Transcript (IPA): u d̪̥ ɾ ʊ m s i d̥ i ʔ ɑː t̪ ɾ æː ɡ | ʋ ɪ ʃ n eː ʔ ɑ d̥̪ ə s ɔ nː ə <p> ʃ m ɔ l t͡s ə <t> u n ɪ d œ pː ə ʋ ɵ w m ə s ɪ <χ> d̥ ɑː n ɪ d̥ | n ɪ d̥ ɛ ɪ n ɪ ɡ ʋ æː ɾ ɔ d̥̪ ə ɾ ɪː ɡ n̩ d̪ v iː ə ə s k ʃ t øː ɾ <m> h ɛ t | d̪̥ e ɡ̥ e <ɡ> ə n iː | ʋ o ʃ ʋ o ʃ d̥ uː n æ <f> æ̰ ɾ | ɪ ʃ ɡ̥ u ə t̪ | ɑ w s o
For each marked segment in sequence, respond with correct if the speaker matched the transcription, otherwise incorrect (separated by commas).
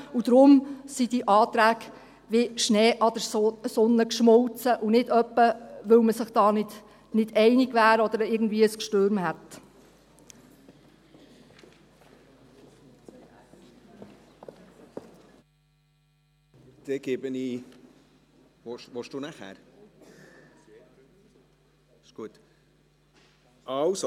incorrect, incorrect, correct, correct, incorrect, incorrect